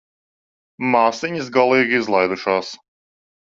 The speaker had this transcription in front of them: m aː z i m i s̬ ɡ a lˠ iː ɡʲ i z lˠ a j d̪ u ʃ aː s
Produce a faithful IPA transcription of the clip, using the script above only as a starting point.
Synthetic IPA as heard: m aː s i ɲ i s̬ ɡ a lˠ iː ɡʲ i z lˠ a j d̪ u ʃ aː s